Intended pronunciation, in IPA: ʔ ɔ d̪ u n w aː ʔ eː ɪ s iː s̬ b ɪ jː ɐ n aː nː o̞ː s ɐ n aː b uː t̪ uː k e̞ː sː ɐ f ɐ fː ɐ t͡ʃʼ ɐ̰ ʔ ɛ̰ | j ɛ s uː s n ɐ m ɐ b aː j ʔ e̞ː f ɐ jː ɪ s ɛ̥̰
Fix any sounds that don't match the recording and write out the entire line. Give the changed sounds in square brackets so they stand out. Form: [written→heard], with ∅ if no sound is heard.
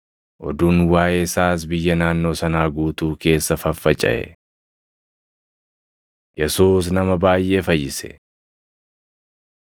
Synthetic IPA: ʔ ɔ d̪ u n w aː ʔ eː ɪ s [iː→aː] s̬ b ɪ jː ɐ n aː nː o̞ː s ɐ n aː [b→ɡ] uː t̪ uː k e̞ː sː ɐ f ɐ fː ɐ t͡ʃʼ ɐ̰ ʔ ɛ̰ | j ɛ s uː s n ɐ m ɐ b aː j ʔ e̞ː f ɐ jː ɪ s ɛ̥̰